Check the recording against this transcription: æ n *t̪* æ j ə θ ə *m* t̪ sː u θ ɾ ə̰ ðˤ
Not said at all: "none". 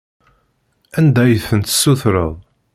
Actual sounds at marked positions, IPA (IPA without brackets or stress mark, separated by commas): d̪, n